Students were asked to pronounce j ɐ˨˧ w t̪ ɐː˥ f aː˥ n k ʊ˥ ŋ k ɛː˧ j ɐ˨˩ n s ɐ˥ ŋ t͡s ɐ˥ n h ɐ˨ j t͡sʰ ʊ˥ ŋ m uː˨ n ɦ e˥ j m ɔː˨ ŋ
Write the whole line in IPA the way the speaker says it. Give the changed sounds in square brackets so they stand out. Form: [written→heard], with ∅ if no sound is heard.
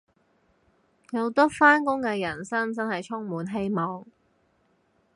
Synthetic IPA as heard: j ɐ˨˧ w t̪ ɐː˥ f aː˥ n k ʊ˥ ŋ k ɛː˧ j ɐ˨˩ n s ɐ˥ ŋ t͡s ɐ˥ n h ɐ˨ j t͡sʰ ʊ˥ ŋ m uː˨ n ɦ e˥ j m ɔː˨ ŋ